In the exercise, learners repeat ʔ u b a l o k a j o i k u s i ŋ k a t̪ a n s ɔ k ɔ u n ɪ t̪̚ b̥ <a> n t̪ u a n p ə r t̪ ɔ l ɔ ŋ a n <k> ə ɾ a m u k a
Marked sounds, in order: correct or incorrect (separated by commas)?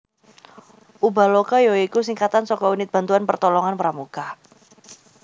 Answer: correct, incorrect